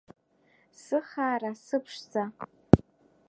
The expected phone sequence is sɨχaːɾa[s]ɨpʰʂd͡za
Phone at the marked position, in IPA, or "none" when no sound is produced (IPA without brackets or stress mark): s